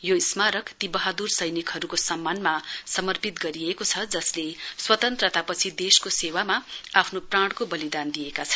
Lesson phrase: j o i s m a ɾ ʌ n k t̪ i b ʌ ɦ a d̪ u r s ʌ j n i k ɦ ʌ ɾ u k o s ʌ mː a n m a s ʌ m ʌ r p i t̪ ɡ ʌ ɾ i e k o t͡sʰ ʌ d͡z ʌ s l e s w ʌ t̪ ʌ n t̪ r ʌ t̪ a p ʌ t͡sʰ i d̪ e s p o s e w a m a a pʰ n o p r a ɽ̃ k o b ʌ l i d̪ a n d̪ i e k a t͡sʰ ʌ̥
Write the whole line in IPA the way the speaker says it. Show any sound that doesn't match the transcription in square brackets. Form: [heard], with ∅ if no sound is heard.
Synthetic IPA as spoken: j o i s m a ɾ ʌ [∅] k t̪ i b ʌ ɦ a d̪ u r s ʌ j n i k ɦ ʌ ɾ u k o s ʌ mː a n m a s ʌ m ʌ r p i t̪ ɡ ʌ ɾ i e k o t͡sʰ ʌ d͡z ʌ s l e s w ʌ t̪ ʌ n t̪ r ʌ t̪ a p ʌ t͡sʰ i d̪ e s [k] o s e w a m a a pʰ n o p r a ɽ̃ k o b ʌ l i d̪ a n d̪ i e k a t͡sʰ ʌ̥